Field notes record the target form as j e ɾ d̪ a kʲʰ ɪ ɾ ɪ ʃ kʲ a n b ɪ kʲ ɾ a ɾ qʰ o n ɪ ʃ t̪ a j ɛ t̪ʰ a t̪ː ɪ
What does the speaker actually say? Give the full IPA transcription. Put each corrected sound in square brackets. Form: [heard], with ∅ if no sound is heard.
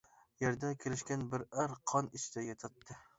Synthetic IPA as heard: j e ɾ d̪ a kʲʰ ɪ ɾ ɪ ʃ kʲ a n b ɪ [∅] ɾ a ɾ qʰ [ɒ] n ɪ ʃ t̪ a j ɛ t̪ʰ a t̪ː ɪ